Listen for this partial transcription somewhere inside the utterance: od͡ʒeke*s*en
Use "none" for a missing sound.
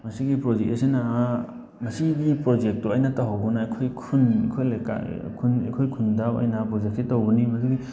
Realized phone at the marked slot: s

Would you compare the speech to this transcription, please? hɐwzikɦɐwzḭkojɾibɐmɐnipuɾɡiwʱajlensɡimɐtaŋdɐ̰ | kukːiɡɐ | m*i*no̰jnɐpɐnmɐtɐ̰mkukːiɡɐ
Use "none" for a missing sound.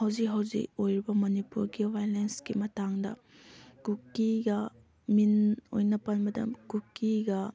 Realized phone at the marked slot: i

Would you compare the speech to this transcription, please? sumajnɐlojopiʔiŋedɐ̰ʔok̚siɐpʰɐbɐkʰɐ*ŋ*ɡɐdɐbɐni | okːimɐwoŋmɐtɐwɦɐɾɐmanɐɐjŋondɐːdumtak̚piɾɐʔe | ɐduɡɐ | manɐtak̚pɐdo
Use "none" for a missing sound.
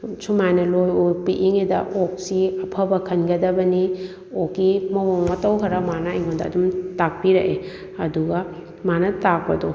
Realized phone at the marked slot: n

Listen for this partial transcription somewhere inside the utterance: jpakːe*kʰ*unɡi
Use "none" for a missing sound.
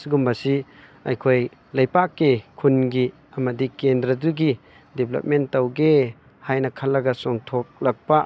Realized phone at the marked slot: kʰ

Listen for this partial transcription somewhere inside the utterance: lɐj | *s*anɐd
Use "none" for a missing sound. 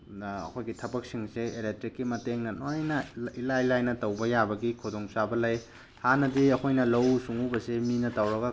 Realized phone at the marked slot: h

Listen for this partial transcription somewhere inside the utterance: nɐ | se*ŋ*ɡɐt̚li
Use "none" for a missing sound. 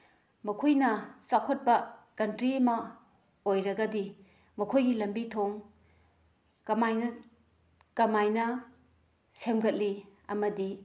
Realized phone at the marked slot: m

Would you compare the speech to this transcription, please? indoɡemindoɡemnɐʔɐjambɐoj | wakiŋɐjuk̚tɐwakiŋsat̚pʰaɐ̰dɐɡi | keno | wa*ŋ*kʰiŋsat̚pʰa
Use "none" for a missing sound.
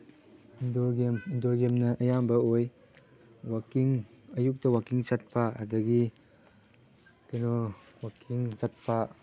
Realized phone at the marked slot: none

